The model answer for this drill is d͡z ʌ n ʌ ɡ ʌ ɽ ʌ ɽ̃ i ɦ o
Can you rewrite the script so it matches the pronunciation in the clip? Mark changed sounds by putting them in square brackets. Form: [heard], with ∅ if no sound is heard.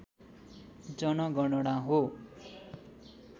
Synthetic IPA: d͡z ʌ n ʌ ɡ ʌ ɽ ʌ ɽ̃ [a] ɦ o